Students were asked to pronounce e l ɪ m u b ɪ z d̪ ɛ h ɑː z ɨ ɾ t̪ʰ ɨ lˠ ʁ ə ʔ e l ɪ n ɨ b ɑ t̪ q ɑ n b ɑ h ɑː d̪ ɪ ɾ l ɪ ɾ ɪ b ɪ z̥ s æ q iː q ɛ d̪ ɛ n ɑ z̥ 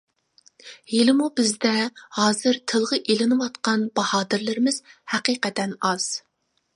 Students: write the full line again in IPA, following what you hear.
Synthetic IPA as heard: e l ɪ m u b ɪ z d̪ ɛ h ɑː z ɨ ɾ t̪ʰ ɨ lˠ ʁ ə ʔ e l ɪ n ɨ w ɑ t̪ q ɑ n b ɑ h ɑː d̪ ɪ ɾ l ɪ ɾ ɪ m ɪ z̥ h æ q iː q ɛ t̪ ɛ n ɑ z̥